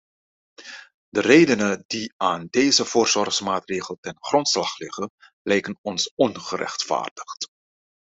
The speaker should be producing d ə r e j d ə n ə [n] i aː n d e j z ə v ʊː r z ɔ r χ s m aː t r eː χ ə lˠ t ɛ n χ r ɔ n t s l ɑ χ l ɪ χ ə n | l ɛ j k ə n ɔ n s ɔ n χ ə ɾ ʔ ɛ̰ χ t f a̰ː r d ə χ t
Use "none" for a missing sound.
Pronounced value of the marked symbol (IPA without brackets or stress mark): d